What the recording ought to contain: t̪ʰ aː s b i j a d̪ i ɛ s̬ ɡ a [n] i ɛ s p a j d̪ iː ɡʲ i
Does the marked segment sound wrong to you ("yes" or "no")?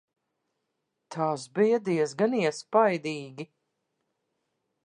no